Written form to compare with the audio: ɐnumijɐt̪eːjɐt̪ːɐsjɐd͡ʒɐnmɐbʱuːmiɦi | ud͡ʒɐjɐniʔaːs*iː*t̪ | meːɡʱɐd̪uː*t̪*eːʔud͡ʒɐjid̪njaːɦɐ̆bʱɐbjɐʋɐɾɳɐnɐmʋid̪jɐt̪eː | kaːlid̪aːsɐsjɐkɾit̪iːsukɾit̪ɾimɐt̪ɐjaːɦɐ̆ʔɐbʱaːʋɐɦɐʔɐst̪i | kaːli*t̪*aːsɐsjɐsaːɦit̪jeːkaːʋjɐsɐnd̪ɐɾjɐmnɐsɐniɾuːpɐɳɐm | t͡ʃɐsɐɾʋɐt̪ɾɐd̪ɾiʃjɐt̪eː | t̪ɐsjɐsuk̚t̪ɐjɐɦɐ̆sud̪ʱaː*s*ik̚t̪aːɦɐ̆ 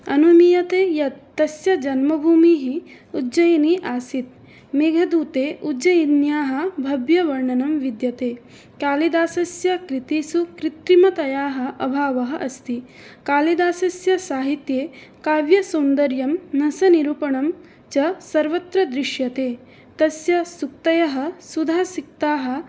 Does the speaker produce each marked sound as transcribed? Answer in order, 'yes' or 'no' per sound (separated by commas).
no, yes, no, yes